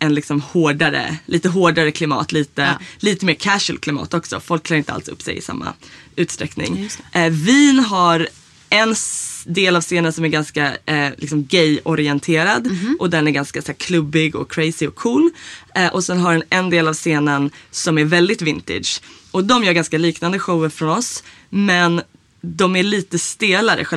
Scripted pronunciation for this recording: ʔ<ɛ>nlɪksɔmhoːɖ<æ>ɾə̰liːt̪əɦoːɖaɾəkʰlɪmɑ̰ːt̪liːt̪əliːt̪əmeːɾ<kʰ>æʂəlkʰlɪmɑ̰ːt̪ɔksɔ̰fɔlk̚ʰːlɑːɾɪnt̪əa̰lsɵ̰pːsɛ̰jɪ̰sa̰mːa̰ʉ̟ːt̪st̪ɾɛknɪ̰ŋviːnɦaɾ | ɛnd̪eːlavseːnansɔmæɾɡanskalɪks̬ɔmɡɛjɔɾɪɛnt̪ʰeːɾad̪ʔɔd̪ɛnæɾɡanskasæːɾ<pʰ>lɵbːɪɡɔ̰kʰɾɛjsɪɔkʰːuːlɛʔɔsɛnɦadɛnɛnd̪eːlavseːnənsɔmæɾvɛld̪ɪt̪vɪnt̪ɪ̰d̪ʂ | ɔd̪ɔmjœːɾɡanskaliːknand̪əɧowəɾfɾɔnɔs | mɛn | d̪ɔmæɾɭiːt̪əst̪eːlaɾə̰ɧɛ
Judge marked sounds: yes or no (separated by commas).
yes, no, yes, no